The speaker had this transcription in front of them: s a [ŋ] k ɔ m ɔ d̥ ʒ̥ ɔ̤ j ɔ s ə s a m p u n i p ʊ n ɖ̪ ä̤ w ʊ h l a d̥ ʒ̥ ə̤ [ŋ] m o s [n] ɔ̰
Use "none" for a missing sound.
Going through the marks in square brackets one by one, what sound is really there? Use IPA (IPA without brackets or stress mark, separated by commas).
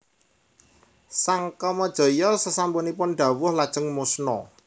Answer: ŋ, ŋ, n